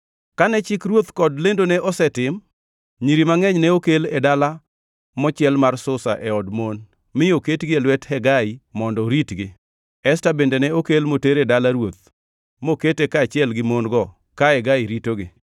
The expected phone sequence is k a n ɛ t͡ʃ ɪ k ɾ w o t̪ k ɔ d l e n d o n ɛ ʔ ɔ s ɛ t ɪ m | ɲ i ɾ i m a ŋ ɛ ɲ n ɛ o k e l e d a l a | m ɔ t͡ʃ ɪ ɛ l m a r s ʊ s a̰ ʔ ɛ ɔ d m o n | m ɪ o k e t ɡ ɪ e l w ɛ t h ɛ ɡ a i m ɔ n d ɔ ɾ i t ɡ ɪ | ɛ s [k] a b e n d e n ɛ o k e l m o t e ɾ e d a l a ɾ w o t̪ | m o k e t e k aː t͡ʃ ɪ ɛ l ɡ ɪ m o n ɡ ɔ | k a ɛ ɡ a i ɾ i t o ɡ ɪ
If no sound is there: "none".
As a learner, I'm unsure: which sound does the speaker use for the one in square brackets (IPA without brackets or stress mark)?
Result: t